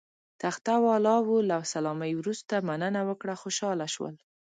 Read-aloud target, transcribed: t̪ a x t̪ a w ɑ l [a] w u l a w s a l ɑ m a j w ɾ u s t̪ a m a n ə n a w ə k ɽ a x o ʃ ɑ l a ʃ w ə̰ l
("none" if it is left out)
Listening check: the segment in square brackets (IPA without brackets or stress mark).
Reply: ɑ